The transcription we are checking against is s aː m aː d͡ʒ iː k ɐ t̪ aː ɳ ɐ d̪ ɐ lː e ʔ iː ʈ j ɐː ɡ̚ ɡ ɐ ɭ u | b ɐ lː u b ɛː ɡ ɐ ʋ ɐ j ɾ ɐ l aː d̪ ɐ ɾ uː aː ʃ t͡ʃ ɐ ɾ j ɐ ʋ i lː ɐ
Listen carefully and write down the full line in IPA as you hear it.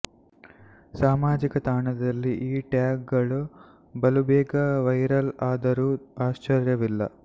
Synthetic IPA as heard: s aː m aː d͡ʒ i k ɐ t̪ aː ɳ ɐ d̪ ɐ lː i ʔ iː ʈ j aː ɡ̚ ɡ ɐ ɭ u | b ɐ l u b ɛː ɡ ɐ ʋ ɐ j ɾ ɐ l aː d̪ ɐ ɾ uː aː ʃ t͡ʃ ɐ ɾ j ɐ ʋ i lː ɐ